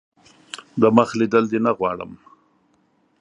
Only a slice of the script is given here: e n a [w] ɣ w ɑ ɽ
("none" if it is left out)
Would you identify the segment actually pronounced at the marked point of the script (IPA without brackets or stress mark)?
none